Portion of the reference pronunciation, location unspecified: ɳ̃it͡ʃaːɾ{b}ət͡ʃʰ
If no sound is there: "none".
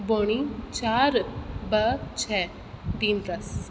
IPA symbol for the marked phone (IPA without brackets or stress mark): b